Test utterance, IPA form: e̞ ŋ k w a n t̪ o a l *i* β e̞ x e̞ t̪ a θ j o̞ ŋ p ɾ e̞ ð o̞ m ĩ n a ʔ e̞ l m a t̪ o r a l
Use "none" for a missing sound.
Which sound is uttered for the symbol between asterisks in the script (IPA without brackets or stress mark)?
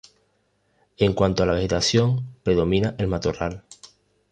a